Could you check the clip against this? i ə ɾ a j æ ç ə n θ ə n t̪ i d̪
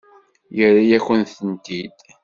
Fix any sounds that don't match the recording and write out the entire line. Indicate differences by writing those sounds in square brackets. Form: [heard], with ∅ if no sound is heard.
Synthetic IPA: [j] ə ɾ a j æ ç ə n θ ə n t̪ i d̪